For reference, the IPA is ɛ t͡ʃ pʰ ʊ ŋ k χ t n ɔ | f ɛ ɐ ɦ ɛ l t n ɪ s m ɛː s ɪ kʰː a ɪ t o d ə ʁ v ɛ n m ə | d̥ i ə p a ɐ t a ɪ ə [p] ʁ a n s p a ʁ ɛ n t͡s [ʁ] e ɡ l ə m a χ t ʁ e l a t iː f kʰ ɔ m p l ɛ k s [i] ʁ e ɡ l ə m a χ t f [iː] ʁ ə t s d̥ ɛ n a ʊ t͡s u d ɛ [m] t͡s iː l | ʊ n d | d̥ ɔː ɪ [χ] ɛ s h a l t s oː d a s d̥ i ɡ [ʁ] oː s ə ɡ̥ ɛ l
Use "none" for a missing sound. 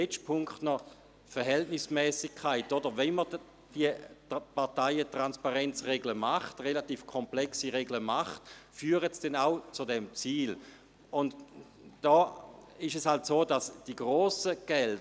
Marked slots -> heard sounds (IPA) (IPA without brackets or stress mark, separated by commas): t, ʁ, i, yː, m, ʃ, ʁ